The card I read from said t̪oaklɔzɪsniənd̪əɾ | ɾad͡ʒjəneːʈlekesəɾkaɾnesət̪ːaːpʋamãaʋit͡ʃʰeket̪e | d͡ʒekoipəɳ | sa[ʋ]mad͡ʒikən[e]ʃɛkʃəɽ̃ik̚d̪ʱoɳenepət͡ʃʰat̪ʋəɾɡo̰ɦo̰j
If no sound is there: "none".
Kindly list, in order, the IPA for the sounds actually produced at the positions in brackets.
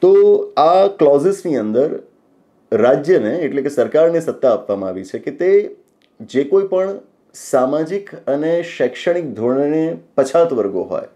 none, e

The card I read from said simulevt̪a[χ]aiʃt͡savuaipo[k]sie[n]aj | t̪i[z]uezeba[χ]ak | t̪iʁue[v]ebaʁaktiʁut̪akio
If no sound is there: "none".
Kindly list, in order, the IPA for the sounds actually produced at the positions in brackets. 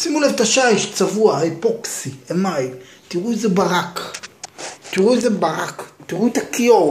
ʃ, k, m, ʁ, ʁ, z

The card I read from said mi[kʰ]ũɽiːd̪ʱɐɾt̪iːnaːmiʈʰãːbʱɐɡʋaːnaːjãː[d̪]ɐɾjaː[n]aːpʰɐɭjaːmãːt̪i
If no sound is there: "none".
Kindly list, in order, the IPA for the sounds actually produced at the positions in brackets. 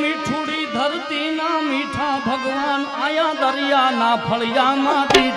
ʈʰ, d̪, n

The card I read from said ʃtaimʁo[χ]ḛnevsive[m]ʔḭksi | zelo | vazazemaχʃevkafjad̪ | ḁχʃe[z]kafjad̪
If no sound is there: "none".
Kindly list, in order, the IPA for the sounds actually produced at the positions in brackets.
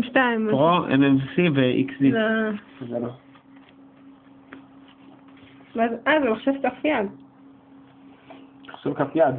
none, none, v

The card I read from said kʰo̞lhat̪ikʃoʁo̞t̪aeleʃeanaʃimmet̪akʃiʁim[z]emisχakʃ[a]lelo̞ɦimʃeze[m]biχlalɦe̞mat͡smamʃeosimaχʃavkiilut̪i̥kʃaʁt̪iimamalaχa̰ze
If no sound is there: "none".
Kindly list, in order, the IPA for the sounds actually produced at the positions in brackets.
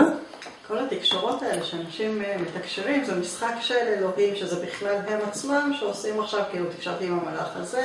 z, e, none

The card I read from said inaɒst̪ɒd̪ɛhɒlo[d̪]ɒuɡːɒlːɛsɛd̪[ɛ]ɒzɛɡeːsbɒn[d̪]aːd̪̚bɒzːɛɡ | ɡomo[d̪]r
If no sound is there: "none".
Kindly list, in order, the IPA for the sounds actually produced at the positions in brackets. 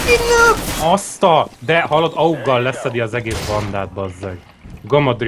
d̪, i, d̪, d̪

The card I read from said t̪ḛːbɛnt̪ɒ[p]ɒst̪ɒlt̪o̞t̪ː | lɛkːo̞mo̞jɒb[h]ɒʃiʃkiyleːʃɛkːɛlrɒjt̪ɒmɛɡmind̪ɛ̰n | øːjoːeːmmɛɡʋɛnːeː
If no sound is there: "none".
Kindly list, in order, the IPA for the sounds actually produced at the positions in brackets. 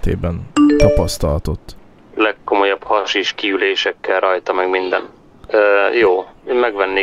p, h

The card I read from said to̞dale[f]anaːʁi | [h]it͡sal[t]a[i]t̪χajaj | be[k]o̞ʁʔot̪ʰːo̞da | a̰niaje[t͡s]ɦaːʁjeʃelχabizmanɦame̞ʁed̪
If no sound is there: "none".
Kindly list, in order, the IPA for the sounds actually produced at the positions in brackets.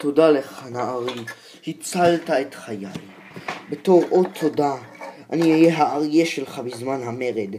χ, h, t, e, t, none

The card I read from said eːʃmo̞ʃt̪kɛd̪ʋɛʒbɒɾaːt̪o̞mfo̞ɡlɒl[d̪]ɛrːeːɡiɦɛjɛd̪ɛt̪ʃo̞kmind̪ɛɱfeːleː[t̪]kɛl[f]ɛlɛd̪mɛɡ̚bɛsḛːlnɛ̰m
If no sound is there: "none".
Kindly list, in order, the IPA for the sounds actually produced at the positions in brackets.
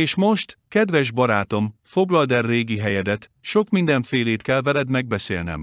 d̪, t̪, v

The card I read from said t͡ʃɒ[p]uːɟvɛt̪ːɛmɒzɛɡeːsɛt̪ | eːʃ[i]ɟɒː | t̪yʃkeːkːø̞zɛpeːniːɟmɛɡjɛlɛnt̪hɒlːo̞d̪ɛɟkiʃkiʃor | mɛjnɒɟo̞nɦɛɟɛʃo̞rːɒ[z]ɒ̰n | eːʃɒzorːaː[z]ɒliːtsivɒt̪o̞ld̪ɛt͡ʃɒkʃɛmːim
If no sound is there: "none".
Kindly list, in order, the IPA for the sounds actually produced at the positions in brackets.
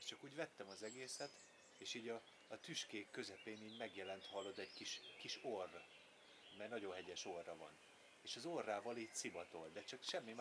k, iː, v, v

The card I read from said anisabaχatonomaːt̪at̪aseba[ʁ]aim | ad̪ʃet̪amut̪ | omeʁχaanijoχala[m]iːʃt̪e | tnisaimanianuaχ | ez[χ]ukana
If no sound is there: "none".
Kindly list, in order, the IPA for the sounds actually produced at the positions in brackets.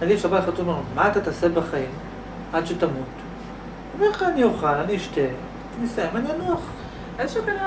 χ, n, ʃ

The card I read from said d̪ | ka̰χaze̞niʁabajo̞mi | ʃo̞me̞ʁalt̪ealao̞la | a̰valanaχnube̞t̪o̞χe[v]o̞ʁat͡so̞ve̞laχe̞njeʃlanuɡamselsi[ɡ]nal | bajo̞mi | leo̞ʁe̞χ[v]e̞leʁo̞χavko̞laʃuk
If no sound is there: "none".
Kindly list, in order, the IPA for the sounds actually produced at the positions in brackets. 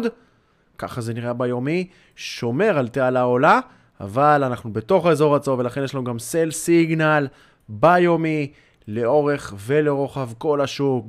z, ɡ, v

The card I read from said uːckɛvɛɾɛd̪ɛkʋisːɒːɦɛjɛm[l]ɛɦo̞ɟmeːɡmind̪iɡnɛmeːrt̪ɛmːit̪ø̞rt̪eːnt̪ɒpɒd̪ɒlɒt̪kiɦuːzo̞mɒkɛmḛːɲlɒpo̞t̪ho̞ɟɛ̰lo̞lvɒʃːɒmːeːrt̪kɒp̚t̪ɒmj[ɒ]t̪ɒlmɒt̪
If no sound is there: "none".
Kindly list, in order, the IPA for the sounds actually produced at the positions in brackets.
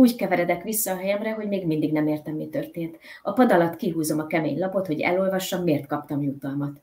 r, u

